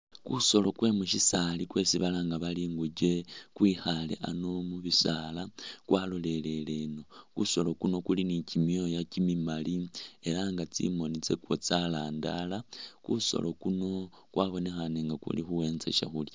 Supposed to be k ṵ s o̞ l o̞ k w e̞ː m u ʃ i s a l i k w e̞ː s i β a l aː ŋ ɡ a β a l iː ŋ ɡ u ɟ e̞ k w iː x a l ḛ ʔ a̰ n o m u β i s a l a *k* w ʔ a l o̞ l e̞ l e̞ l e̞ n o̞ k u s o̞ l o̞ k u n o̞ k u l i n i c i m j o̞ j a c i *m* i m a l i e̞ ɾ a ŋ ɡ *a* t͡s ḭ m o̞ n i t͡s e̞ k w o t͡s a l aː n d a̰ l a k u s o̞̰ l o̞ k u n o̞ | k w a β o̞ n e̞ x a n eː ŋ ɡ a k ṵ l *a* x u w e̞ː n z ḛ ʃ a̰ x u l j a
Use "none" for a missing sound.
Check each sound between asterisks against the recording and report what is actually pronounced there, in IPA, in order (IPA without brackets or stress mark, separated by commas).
k, m, a, i